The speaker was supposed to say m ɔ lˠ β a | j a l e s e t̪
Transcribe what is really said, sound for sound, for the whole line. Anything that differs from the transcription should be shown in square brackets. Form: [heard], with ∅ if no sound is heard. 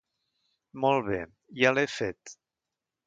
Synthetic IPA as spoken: m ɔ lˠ β [e] | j a l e [f] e t̪